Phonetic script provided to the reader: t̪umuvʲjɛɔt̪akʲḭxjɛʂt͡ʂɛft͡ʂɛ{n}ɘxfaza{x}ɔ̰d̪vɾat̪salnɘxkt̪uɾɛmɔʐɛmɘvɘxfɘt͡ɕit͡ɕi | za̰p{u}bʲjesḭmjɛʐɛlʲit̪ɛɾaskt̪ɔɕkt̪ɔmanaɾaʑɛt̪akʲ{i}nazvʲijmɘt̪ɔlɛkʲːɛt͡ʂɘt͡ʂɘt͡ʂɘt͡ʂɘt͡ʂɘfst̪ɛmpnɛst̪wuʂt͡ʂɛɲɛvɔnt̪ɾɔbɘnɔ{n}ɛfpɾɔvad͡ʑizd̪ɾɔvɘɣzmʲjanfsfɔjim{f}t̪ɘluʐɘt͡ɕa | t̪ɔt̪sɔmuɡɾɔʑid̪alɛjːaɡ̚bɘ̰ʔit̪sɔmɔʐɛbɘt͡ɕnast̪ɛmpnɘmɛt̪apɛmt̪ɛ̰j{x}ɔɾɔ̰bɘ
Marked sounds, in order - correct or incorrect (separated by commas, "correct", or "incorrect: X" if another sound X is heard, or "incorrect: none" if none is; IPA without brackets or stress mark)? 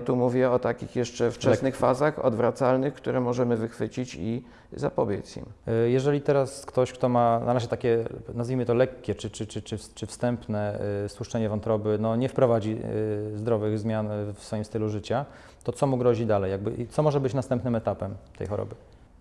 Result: correct, correct, incorrect: ɔ, incorrect: ɛ, incorrect: ɲ, incorrect: s, correct